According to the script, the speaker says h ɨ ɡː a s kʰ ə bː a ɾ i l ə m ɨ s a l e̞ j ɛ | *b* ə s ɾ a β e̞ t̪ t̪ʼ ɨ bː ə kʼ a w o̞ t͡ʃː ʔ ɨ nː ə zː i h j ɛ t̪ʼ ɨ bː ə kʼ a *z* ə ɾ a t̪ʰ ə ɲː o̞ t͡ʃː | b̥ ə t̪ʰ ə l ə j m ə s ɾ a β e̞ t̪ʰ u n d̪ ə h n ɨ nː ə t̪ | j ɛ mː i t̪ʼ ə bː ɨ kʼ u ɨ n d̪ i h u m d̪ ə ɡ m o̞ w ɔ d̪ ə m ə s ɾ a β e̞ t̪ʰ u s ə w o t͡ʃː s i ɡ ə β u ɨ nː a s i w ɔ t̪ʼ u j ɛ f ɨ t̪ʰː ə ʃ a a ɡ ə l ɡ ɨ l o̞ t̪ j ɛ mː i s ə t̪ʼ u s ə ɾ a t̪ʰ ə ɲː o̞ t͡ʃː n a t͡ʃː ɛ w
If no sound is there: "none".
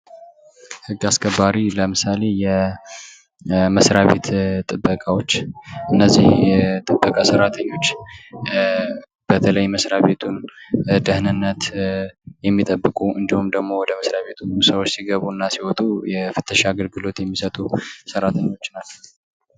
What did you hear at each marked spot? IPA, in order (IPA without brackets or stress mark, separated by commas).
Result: m, s